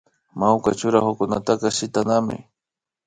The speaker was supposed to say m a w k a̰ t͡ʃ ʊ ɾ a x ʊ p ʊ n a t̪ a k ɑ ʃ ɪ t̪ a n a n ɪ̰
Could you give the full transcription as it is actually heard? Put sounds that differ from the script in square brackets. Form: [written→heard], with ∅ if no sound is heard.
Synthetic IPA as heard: m a w k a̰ t͡ʃ ʊ ɾ a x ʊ [p→k] ʊ n a t̪ a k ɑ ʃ ɪ t̪ a n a [n→m] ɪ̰